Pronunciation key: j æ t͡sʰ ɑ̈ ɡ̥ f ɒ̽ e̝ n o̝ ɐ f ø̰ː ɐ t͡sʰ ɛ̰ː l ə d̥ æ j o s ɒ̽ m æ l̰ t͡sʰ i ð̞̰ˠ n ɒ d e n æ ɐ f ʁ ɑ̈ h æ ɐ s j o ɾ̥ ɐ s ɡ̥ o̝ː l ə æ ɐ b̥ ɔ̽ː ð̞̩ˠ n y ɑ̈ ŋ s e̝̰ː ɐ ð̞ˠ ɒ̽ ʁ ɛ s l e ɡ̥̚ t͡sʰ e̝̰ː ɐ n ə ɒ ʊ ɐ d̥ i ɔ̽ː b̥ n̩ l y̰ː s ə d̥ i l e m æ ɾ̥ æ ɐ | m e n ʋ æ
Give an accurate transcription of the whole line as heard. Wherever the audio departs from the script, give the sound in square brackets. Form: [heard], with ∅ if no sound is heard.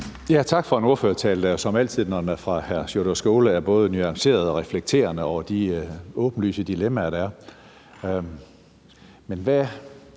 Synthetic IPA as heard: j æ t͡sʰ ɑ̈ ɡ̥ f ɒ̽ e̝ n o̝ ɐ f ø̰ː ɐ t͡sʰ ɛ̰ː l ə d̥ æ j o s ɒ̽ m æ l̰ t͡sʰ i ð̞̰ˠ n ɒ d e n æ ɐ f ʁ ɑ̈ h æ ɐ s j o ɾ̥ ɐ s ɡ̥ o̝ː l ə æ ɐ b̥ ɔ̽ː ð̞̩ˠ n y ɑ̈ ŋ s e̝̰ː ɐ ð̞ˠ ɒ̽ ʁ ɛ [f] l e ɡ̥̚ t͡sʰ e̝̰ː ɐ n ə ɒ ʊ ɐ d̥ i ɔ̽ː b̥ n̩ l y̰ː s ə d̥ i l e m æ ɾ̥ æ ɐ | m e n ʋ æ